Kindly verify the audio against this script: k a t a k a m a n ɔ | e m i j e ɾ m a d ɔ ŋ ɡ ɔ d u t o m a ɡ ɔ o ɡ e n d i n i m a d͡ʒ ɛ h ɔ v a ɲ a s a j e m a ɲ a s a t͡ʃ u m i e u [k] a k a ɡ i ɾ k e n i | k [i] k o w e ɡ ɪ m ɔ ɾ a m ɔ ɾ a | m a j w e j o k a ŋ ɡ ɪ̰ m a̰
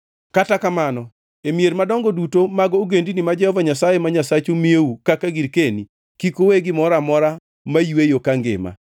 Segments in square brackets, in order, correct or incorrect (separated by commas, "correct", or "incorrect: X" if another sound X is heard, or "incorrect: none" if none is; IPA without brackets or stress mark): correct, correct